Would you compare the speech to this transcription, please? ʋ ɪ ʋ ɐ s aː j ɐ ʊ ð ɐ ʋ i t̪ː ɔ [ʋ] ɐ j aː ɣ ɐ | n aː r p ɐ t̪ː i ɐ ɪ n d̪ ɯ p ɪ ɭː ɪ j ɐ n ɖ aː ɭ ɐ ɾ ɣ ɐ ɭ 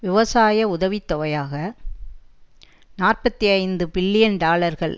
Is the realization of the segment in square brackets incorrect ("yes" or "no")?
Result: no